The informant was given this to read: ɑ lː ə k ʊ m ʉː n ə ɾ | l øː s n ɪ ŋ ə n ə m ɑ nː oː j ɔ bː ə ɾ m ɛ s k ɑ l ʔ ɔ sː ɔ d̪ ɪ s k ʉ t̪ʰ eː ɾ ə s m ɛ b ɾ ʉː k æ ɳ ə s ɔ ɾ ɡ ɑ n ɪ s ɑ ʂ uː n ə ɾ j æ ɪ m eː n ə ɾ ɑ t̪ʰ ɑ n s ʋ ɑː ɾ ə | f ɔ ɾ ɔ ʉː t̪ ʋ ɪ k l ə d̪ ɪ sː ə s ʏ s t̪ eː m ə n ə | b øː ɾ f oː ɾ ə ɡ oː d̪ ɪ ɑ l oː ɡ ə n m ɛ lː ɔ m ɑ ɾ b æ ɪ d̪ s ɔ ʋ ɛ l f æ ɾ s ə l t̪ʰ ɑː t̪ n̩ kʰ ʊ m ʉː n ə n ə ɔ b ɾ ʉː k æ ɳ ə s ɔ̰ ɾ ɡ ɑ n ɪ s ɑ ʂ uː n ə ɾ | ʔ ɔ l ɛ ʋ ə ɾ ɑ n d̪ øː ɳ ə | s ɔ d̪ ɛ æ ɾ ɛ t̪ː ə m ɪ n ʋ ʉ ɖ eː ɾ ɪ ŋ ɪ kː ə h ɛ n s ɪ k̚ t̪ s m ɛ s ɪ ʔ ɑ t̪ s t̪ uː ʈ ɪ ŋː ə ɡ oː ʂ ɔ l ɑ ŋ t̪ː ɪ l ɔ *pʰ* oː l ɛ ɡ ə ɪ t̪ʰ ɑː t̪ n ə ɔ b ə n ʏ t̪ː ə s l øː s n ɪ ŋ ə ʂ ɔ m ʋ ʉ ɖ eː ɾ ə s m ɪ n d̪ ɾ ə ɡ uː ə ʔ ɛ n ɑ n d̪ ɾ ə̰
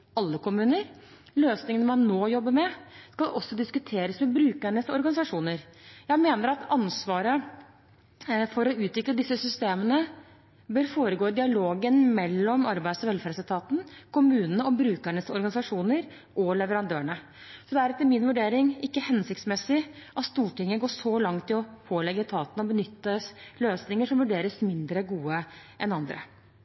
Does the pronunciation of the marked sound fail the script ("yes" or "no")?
no